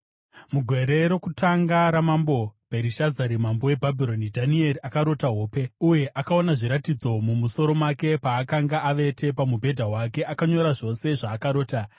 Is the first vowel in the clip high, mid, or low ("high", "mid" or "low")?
high